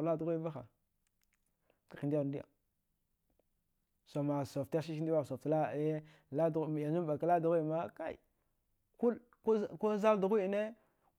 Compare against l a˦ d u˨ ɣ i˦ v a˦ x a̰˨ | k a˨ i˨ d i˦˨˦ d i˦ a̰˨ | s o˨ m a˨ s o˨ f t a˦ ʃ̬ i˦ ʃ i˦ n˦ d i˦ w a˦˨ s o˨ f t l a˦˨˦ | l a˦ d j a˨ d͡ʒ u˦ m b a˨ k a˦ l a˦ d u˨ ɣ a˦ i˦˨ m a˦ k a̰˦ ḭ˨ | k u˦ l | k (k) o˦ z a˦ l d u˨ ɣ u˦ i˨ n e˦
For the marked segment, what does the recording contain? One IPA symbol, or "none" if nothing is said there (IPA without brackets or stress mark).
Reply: k